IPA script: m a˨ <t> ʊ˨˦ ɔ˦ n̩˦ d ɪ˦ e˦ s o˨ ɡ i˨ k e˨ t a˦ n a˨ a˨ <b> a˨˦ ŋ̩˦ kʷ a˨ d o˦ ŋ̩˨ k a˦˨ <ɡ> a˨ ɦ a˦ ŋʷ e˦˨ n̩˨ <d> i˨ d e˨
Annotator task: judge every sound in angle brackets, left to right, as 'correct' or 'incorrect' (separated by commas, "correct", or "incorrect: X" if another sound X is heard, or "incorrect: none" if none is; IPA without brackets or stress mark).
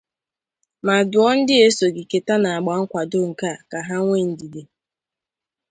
incorrect: d, incorrect: ɡ͡b, incorrect: k, correct